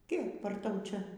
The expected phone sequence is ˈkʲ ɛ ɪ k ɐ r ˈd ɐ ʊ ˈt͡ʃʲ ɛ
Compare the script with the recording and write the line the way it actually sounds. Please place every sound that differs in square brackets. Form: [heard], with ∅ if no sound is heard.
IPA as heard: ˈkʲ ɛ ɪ [p] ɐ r [ˈt] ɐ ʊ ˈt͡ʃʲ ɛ